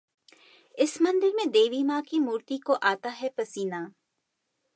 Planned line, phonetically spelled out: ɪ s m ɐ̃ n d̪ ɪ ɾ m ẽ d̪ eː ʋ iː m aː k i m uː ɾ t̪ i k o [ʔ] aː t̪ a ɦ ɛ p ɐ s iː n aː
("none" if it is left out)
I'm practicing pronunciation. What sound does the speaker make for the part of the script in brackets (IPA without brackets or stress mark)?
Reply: ʔ